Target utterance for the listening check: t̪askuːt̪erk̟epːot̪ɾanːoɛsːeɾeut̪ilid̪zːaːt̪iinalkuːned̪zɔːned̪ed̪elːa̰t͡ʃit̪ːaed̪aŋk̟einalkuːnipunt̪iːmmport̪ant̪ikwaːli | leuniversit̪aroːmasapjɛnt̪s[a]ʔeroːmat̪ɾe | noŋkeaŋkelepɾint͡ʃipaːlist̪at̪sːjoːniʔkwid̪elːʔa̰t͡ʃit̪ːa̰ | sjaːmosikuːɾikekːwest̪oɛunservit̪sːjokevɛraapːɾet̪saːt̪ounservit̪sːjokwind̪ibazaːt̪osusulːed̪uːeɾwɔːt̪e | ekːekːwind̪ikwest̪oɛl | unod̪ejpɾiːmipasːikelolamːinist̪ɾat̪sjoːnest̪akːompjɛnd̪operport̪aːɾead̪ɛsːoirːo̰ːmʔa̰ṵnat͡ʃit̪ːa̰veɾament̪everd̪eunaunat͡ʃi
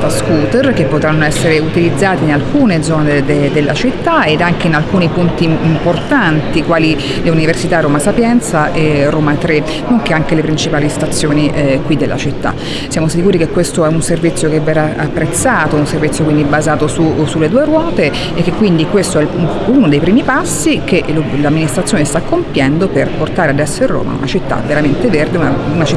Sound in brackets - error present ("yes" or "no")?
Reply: no